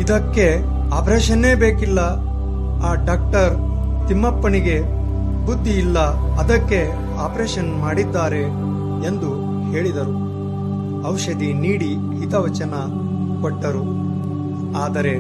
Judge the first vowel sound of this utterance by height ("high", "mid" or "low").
high